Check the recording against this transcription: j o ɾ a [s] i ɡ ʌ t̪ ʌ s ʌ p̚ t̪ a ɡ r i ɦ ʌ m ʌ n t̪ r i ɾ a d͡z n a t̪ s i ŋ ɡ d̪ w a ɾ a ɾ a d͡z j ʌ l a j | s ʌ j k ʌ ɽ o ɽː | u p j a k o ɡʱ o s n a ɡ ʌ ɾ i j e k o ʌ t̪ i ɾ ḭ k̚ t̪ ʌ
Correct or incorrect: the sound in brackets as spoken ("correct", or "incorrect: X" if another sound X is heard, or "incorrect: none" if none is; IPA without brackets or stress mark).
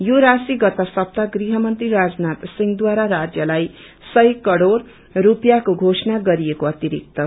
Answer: correct